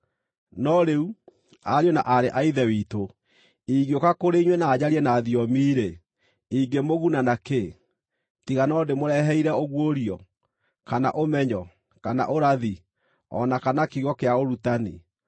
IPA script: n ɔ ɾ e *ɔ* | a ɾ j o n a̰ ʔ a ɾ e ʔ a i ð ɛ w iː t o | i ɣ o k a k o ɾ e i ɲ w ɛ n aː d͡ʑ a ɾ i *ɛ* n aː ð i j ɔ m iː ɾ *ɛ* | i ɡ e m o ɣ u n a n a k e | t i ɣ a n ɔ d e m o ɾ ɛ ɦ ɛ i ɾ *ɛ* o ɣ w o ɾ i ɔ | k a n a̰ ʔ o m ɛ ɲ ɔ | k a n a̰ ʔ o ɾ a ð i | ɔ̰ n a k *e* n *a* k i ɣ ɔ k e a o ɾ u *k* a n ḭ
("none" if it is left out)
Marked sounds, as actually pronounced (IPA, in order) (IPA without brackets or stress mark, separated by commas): u, ɛ, e, ɛ, a, a, t